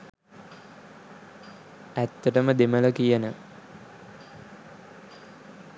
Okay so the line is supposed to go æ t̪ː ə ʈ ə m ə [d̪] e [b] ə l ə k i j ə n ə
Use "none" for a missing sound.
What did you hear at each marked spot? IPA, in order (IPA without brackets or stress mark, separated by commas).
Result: d̪, m